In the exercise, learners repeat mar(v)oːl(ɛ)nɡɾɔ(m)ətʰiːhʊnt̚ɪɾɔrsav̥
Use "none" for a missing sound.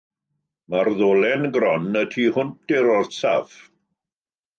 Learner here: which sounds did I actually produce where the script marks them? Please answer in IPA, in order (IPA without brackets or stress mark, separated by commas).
ð, ɛ, n